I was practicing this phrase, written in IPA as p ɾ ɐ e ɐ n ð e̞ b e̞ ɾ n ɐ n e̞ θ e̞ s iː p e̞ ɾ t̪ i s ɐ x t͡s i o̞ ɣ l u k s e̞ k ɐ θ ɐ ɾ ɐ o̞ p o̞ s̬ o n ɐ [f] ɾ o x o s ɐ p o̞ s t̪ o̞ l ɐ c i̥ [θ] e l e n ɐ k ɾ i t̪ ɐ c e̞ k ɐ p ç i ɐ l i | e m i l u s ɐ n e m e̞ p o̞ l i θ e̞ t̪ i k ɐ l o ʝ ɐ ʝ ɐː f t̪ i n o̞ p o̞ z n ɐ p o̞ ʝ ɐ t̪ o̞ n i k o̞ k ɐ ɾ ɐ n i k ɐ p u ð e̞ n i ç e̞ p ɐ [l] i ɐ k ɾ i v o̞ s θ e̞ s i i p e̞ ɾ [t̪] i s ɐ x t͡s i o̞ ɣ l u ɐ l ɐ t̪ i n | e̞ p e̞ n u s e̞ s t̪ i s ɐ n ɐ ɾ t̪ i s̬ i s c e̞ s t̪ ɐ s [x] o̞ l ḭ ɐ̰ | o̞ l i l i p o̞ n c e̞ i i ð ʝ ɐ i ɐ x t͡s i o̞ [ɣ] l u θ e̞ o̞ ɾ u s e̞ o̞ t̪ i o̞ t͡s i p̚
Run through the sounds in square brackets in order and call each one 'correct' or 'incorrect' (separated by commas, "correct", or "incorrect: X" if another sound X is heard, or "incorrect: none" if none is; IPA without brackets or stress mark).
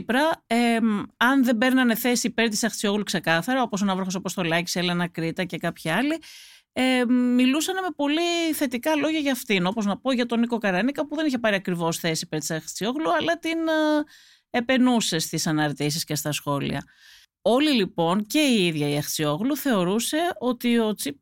incorrect: v, incorrect: s, incorrect: ɾ, correct, correct, correct